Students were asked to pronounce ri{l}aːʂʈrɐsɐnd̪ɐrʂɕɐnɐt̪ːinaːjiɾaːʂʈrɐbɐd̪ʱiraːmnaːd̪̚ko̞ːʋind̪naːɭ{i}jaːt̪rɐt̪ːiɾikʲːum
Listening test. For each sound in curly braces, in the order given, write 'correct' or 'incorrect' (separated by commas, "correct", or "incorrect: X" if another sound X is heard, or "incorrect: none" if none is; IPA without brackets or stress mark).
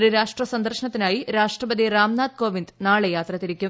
incorrect: ɾ, incorrect: e